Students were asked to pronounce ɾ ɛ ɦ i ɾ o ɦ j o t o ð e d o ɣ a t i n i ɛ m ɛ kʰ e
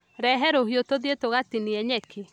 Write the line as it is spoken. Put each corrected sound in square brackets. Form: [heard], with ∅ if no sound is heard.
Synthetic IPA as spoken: ɾ ɛ ɦ [ɛ] ɾ o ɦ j o t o ð e [t] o ɣ a t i n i ɛ [ɲ] ɛ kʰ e